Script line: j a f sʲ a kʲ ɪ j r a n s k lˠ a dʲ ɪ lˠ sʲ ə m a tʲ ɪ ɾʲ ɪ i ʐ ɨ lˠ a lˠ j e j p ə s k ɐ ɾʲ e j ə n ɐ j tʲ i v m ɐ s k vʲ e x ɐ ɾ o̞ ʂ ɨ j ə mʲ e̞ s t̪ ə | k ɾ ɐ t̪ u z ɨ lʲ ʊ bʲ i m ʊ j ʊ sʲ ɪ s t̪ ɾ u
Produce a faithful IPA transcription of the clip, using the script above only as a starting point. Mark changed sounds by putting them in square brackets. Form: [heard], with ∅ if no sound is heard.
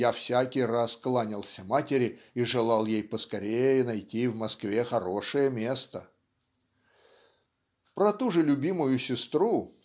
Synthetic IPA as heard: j a f sʲ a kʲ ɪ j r a [∅] s k lˠ a [nʲ] ɪ lˠ sʲ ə m a tʲ ɪ ɾʲ ɪ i ʐ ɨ lˠ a lˠ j e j p ə s k ɐ ɾʲ e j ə n ɐ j tʲ i v m ɐ s k vʲ e x ɐ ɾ o̞ ʂ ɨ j ə mʲ e̞ s t̪ ə | [p] ɾ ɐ t̪ u [ʐ] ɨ lʲ ʊ bʲ i m ʊ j ʊ sʲ ɪ s t̪ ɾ u